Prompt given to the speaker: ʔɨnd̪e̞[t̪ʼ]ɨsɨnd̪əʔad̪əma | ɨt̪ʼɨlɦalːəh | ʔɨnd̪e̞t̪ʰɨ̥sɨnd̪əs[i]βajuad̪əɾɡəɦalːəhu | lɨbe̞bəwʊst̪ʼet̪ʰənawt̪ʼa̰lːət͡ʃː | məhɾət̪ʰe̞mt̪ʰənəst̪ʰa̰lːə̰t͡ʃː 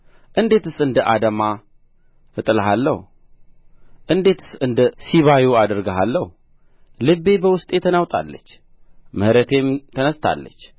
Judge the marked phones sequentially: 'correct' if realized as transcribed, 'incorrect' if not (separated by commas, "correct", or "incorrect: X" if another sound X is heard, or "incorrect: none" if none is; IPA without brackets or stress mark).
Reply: incorrect: t̪, correct